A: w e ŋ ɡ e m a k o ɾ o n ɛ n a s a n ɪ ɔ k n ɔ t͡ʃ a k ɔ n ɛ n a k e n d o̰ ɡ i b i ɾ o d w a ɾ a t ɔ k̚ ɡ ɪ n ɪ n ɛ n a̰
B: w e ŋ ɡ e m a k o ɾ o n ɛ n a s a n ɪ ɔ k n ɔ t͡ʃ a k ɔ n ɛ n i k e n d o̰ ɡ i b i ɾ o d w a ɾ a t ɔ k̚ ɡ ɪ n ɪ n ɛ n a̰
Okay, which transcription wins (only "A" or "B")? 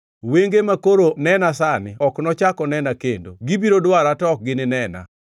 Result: A